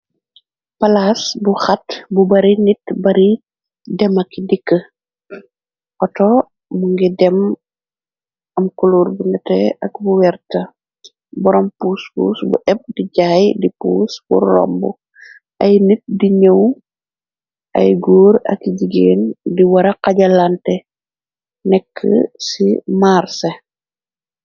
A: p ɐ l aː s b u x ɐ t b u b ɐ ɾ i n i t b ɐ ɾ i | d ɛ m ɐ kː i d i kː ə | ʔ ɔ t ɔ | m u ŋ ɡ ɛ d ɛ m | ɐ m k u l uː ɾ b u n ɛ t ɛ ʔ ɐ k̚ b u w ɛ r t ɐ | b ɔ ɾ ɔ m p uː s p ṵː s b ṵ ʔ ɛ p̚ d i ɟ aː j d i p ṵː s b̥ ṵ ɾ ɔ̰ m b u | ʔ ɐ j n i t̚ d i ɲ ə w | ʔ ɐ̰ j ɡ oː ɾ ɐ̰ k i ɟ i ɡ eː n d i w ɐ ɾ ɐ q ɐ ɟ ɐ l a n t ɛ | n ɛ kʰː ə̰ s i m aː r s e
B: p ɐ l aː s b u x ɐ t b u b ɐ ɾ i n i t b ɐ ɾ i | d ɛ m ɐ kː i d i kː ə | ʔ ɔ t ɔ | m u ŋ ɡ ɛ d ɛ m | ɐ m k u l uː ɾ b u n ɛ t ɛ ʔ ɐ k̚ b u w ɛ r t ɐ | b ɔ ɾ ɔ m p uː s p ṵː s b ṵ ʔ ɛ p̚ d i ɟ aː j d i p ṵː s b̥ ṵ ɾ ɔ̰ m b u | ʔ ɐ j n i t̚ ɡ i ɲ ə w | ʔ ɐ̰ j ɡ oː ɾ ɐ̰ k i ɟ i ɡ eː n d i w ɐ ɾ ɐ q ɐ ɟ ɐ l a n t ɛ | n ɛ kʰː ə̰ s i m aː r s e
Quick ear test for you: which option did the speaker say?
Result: A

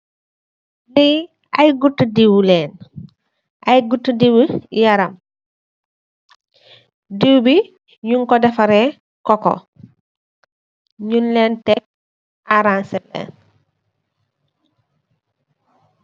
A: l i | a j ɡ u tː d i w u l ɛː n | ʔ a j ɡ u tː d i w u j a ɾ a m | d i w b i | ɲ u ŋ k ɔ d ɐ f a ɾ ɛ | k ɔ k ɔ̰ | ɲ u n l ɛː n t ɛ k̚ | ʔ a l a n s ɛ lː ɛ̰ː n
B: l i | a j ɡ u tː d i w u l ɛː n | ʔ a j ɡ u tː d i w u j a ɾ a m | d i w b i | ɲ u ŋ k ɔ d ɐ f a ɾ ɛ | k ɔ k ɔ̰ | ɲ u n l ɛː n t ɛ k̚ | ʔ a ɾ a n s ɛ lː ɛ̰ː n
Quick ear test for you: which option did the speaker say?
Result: B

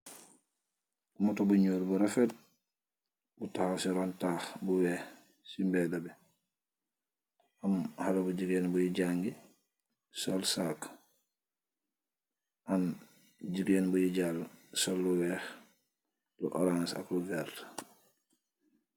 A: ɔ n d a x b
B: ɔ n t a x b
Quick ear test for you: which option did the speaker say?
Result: B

